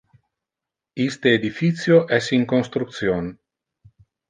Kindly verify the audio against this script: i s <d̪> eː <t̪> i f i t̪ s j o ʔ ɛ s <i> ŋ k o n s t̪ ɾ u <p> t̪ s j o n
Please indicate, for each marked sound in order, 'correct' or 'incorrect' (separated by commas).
incorrect, incorrect, correct, incorrect